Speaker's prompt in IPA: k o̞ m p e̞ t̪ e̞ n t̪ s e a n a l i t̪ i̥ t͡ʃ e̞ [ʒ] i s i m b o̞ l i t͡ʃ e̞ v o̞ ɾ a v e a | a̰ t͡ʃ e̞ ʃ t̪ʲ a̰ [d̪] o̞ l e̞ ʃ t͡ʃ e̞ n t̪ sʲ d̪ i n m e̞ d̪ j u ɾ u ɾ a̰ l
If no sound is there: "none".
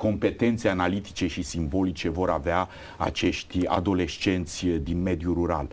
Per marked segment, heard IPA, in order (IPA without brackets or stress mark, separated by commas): ʃ, d̪